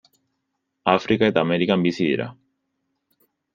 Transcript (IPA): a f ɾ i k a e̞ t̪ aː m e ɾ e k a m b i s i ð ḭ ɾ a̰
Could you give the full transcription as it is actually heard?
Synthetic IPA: a f ɾ i k a e̞ t̪ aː m e ɾ i k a m b i s i ð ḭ ɾ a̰

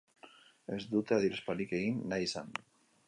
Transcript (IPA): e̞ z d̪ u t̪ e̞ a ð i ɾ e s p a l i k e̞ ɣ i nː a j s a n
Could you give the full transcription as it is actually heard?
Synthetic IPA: e̞ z d̪ u t̪ e̞ a ð i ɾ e s p a l i k e̞ ɣ i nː a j s a n

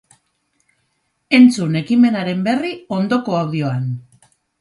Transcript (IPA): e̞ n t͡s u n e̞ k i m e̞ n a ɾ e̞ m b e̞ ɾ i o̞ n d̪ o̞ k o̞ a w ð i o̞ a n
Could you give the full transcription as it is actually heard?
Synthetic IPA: e̞ n t͡s u n e̞ k i m e̞ n a ɾ e̞ m b e̞ r i o̞ n d̪ o̞ k o̞ a w ð i o̞ a n

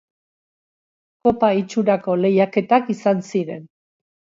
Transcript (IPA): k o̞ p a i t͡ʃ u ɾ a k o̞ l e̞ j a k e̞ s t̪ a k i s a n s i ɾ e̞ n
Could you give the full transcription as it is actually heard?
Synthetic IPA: k o̞ p a i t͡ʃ u ɾ a k o̞ l e̞ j a k e̞ t̪ a k i s a n s i ɾ e̞ n

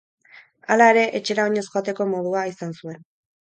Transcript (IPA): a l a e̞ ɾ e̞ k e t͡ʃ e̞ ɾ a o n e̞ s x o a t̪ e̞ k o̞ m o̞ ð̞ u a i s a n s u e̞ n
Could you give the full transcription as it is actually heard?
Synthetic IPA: a l a e̞ ɾ e̞ ʔ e t͡ʃ e̞ ɾ a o ɲ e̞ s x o a t̪ e̞ k o̞ m o̞ ð̞ u a i s a n s u e̞ n

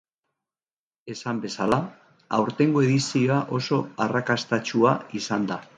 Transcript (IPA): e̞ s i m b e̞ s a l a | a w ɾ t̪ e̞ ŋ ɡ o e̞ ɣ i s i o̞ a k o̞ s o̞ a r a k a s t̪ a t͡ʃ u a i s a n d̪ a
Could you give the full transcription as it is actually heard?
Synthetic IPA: e̞ s a m b e̞ s a l a | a w ɾ t̪ e̞ ŋ ɡ o e̞ ð i s i o̞ a ʔ o̞ s o̞ a r a k a s t̪ a t͡ʃ u a i s a n d̪ a

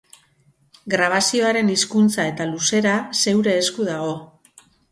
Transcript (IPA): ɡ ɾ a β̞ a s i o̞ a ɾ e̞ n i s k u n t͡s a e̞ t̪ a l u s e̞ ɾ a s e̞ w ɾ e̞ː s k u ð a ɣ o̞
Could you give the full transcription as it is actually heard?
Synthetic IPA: ɡ ɾ a β̞ a s i o̞ a ɾ e̞ n i s k u n t͡s a e̞ t̪ a l u s e̞ ɾ a s e̞ w ɾ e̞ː s k u ð a ɣ o̞

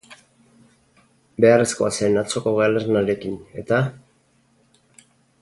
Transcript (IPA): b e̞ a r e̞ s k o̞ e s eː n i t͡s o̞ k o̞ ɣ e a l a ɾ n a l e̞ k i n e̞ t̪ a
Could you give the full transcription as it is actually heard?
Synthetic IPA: b e̞ a r e̞ s k o̞ a s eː n a t͡s o̞ k o̞ ɣ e a l e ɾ n a ɾ e̞ k i n e̞ t̪ a

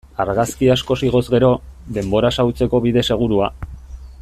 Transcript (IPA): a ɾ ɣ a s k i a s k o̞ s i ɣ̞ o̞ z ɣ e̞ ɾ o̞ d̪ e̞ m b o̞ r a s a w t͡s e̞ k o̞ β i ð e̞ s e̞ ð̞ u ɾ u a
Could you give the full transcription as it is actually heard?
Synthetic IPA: a ɾ ɣ a s k i a s k o̞ s i ɣ̞ o̞ z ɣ e̞ ɾ o̞ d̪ e̞ m b o̞ ɾ a s a w t͡s e̞ k o̞ β i ð e̞ s e̞ ɣ̞ u ɾ u a

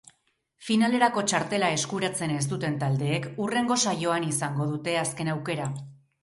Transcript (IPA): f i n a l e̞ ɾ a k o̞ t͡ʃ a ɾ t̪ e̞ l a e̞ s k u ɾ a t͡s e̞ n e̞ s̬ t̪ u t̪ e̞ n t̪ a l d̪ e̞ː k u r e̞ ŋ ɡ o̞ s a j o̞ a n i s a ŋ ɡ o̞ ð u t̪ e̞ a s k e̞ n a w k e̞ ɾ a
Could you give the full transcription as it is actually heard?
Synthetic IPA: f i n a l e̞ ɾ a k o̞ t͡ʃ a ɾ t̪ e̞ l a e̞ s k u ɾ a t͡s e̞ n e̞ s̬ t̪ u t̪ e̞ n t̪ a l d̪ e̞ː k u r e̞ ŋ ɡ o̞ s a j o̞ a n i s a ŋ ɡ o̞ ð u t̪ e̞ a s k e̞ n a w k e̞ ɾ a

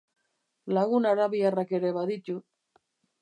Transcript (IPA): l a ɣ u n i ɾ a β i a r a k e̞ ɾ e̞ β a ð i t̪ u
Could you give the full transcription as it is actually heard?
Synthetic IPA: l a ɣ u n a ɾ a β i a r a k e̞ ɾ e̞ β a ð i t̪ u

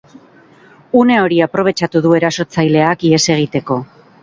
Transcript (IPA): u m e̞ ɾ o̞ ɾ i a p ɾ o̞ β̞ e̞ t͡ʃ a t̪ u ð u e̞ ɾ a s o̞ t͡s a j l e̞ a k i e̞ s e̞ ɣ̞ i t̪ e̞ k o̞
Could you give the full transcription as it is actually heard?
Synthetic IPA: u n e̞ o̞ ɾ i a p ɾ o̞ β̞ e̞ t͡ʃ a t̪ u ð u e̞ ɾ a s o̞ t͡s a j l e̞ a k i e̞ s e̞ ɣ̞ i t̪ e̞ k o̞

